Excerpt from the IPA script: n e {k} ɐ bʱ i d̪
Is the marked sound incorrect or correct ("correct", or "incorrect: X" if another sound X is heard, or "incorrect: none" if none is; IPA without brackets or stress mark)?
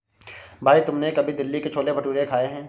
correct